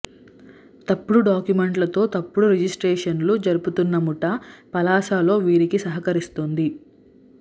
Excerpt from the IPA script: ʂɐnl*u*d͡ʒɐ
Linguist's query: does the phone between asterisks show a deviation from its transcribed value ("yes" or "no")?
no